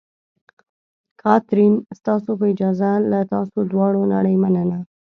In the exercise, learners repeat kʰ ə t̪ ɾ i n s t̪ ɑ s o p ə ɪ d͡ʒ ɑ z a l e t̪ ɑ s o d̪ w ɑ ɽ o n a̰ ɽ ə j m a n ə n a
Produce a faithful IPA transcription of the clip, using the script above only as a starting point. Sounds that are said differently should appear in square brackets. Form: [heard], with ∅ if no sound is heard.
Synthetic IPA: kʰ [ɑ] t̪ ɾ i n s t̪ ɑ s o p ə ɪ d͡ʒ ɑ z a l [a] t̪ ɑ s o d̪ w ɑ ɽ o n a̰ ɽ ə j m a n ə n a